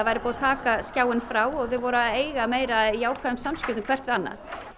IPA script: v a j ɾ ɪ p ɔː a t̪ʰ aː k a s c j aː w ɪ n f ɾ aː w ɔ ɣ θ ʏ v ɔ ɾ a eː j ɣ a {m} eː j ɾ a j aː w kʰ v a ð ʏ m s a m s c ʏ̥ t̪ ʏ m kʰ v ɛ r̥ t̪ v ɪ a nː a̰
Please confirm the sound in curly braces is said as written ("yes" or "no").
yes